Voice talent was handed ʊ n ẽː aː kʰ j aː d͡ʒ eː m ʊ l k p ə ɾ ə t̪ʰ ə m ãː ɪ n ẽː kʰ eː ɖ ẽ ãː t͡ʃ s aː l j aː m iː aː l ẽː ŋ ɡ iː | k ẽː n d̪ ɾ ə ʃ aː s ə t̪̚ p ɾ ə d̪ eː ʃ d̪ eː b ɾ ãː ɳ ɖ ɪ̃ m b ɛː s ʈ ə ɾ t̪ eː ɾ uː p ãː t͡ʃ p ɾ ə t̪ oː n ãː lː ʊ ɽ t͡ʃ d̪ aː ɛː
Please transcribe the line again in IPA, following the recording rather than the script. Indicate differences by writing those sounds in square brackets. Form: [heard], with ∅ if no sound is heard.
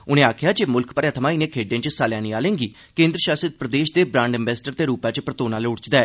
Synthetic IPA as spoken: ʊ n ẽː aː kʰ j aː d͡ʒ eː m ʊ l k p ə ɾ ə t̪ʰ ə m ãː ɪ n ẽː kʰ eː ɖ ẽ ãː t͡ʃ s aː l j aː [n] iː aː l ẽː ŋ ɡ iː | k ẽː n d̪ ɾ ə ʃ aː s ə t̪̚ p ɾ ə d̪ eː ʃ d̪ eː b ɾ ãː ɳ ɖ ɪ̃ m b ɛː s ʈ ə ɾ t̪ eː ɾ uː p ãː t͡ʃ p ɾ ə t̪ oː n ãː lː ʊ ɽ t͡ʃ d̪ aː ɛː